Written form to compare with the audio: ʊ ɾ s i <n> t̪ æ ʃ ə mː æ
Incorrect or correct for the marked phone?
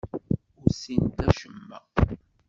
correct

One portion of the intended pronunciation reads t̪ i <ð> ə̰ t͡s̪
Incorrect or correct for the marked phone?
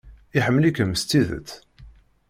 correct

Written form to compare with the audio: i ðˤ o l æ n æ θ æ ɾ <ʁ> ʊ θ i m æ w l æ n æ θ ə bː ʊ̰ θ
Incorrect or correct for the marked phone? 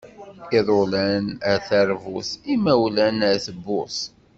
incorrect: v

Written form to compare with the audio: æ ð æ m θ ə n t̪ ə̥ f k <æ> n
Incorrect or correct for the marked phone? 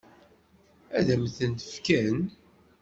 correct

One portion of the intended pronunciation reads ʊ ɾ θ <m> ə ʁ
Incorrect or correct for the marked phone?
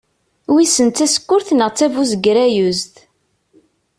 incorrect: n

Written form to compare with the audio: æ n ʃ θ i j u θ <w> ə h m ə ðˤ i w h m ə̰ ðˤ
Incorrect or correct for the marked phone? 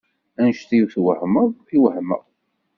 correct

